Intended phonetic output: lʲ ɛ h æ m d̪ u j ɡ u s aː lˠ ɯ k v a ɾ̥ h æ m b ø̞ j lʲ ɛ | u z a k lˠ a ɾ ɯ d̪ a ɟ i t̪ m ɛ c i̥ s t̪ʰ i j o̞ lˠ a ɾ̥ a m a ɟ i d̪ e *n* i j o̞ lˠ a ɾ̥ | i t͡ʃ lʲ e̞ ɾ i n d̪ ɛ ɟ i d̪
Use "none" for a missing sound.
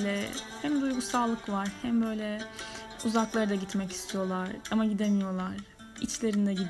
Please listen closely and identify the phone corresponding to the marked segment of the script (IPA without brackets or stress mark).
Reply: m